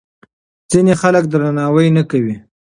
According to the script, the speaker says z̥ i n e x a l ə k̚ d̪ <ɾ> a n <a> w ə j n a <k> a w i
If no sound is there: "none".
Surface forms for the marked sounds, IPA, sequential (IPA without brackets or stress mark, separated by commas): ɾ, ɑ, k